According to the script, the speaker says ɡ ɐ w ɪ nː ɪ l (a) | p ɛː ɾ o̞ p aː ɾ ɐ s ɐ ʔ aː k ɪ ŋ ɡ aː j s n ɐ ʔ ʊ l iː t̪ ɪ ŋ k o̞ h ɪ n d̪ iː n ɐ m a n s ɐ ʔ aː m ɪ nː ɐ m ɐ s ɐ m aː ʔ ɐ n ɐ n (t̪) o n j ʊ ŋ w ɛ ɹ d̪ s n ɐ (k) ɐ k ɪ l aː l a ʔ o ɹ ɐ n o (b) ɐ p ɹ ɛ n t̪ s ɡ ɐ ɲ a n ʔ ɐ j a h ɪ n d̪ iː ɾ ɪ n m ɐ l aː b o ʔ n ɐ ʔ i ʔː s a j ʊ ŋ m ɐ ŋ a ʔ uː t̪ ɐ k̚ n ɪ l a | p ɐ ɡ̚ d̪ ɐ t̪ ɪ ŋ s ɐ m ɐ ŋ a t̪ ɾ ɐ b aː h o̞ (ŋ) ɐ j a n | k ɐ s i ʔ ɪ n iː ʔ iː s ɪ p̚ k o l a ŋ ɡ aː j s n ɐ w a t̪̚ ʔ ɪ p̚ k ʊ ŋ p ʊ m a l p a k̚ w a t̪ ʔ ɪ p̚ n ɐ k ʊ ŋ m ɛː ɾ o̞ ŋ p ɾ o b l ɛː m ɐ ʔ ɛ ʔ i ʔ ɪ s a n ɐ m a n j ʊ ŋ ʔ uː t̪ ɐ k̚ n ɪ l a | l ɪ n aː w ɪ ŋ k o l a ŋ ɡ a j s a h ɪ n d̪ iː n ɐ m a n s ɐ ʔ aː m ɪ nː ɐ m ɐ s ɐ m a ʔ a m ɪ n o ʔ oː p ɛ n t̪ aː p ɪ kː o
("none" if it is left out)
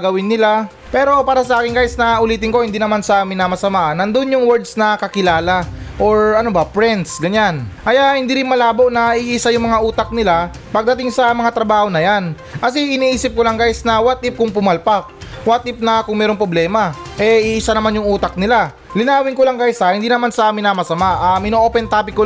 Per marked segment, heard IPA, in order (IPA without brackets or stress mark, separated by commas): a, d̪, k, b, n